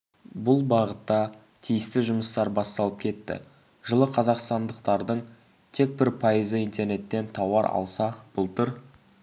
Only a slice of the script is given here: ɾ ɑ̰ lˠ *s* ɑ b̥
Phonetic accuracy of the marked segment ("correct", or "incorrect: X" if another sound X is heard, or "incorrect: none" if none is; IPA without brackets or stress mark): correct